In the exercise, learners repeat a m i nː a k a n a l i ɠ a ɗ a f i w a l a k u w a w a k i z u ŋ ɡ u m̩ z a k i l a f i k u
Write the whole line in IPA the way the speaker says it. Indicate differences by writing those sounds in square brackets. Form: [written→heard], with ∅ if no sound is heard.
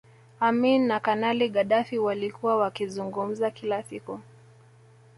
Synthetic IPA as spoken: a m i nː a k a n a l i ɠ a ɗ a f i w a l [a→i] k u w a w a k i z u ŋ ɡ u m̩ z a k i l a [f→s] i k u